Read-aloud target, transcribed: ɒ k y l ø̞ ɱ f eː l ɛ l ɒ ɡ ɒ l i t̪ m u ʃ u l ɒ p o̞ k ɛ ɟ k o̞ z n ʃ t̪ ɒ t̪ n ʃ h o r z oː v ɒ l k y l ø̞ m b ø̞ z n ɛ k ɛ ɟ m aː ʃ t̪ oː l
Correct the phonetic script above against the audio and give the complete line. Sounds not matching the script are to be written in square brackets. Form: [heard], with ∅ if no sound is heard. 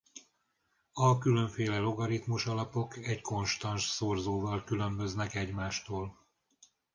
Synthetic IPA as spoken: ɒ k y l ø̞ ɱ f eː l ɛ l [o] ɡ ɒ [ɾ] i t̪ m u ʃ [ɒ] l ɒ p o̞ k ɛ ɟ k o̞ [∅] n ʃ t̪ ɒ [∅] n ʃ [s] o r z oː v ɒ l k y l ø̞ m b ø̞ z n ɛ k ɛ ɟ m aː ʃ t̪ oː l